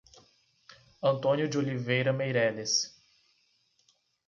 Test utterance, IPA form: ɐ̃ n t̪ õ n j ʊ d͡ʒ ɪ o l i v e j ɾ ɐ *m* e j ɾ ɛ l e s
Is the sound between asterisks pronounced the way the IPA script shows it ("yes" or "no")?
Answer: yes